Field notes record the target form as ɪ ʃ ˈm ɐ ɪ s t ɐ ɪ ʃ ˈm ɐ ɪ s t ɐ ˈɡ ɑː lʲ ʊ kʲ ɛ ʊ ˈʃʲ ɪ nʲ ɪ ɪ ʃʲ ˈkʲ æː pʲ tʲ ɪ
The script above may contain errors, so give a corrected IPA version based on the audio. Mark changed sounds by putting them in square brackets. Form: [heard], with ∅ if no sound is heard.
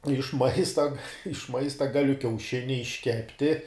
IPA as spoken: ɪ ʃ ˈm ɐ ɪ s t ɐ ɪ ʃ ˈm ɐ ɪ s t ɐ ˈɡ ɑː lʲ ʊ kʲ ɛ ʊ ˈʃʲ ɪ nʲ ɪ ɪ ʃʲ ˈkʲ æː pʲ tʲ ɪ